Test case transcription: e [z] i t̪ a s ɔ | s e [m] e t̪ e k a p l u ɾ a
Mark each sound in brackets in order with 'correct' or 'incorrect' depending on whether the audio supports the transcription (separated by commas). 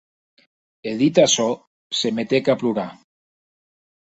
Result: incorrect, correct